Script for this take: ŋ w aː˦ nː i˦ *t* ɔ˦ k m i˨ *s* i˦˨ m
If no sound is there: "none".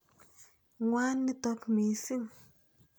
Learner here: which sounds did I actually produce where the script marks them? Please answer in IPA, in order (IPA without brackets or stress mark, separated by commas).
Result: t, s